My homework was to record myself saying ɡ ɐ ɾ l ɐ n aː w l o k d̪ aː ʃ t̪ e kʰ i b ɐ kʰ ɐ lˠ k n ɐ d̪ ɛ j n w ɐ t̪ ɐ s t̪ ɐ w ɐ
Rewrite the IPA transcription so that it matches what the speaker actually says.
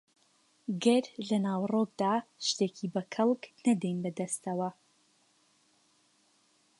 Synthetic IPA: ɡ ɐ ɾ l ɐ n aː w r o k d̪ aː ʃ t̪ e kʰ i b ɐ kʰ ɐ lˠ k n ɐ d̪ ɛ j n b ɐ d̪ ɐ s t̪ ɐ w ɐ

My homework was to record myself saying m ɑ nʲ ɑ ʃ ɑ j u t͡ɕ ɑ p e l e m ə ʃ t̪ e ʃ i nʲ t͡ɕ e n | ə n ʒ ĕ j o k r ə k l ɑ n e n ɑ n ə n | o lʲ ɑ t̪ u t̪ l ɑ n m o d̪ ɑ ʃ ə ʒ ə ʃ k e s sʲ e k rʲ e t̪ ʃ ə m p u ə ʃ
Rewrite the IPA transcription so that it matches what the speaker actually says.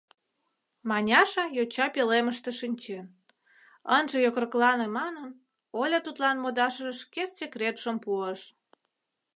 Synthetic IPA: m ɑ nʲ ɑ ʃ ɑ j o t͡ɕ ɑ p e l e m ə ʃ t̪ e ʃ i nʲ t͡ɕ e n | ə n ʒ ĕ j o k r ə k l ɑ n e m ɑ n ə n | o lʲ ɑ t̪ u t̪ l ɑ n m o d̪ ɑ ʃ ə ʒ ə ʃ k e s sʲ e k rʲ e t̪ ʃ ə m p u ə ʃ

